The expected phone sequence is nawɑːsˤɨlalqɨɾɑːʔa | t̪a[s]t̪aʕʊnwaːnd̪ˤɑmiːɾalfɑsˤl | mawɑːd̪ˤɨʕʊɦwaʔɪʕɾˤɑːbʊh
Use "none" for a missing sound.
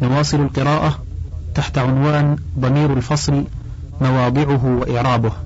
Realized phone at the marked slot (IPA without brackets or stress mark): ħ